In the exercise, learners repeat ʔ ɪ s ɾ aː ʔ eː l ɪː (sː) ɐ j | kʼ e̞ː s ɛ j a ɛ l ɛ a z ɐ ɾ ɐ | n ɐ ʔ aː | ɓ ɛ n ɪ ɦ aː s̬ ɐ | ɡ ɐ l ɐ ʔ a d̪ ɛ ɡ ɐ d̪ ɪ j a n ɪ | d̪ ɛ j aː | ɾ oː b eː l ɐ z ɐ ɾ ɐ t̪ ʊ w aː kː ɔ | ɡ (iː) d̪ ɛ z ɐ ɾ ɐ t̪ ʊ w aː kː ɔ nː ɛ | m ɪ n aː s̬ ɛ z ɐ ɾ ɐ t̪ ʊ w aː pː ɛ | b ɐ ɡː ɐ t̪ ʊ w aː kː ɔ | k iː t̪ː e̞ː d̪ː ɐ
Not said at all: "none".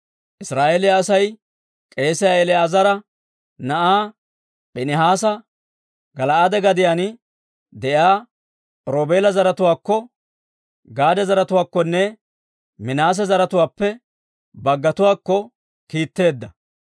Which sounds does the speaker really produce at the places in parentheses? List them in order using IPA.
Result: s, aː

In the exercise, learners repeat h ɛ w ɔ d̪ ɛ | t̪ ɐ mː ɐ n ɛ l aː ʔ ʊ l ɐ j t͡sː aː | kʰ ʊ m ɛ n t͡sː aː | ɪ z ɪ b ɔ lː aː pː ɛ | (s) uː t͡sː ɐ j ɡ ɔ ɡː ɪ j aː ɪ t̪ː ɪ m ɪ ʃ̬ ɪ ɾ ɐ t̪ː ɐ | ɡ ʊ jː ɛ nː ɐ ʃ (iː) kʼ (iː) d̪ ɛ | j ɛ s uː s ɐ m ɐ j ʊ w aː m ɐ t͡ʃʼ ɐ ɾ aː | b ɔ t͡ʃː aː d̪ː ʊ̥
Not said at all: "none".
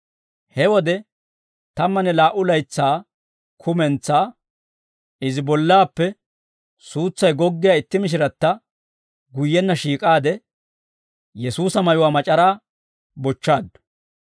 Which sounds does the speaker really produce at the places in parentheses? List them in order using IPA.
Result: s, iː, aː

